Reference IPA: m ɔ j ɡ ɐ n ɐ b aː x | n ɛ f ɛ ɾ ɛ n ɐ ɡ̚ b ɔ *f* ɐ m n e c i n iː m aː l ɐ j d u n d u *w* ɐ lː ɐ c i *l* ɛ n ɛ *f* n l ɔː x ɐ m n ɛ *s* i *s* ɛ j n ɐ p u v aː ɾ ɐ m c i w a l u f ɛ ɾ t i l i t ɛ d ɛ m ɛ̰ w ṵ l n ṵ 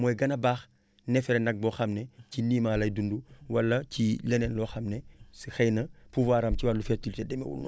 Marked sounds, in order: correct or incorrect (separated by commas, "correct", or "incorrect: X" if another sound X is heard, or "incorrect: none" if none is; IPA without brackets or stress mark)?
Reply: incorrect: x, correct, correct, incorrect: none, correct, incorrect: x